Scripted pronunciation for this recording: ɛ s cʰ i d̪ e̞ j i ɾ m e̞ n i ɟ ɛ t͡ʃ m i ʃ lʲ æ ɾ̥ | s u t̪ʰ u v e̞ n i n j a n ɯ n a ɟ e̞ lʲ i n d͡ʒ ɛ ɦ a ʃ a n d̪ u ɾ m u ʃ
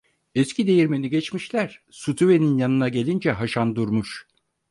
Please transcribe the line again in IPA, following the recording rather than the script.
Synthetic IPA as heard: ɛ s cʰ i d̪ e̞ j i ɾ m e̞ n i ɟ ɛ t͡ʃ m i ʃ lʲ æ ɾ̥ | s u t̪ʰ u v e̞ n i n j a n ɯ n a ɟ e̞ lʲ i n d͡ʒ ɛ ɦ a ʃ a n d̪ u ɾ m u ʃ